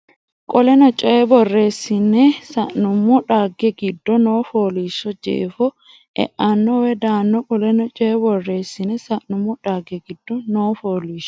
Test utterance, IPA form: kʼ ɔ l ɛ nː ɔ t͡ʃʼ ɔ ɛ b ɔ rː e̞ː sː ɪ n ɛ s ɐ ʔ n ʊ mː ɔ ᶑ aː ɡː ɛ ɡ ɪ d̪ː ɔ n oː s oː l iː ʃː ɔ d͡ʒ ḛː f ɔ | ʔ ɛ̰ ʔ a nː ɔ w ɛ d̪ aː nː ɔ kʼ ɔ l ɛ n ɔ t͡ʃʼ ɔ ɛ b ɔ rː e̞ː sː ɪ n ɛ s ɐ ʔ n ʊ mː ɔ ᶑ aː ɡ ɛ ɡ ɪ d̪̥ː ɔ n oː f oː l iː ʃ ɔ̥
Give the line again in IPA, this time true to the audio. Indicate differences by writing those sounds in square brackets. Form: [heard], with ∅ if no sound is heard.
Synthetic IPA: kʼ ɔ l ɛ [n] ɔ t͡ʃʼ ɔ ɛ b ɔ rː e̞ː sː ɪ n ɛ s ɐ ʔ n ʊ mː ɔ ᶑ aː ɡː ɛ ɡ ɪ d̪ː ɔ n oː [f] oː l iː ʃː ɔ d͡ʒ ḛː f ɔ | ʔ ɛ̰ ʔ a nː ɔ w ɛ d̪ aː nː ɔ kʼ ɔ l ɛ n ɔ t͡ʃʼ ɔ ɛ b ɔ rː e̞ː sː ɪ n ɛ s ɐ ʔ n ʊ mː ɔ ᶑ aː ɡ ɛ ɡ ɪ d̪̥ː ɔ n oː f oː l iː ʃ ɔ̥